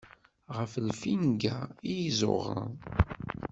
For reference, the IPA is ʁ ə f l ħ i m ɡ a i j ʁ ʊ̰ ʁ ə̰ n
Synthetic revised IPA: ʁ ə f l f i n ɡ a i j z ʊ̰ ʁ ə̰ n